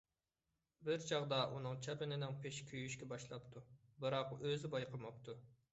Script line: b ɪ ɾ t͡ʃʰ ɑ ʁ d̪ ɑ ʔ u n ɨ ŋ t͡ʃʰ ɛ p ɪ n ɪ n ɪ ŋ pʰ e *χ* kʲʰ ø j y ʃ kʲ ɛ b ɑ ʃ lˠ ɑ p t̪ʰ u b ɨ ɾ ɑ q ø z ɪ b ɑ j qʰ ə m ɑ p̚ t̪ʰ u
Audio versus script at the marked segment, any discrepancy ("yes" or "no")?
yes